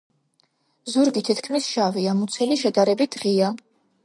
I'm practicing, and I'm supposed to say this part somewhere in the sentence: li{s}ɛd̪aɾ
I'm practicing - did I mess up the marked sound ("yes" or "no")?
yes